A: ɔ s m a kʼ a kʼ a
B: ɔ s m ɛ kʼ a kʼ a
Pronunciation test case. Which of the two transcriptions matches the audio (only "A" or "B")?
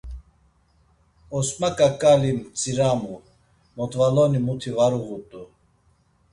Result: A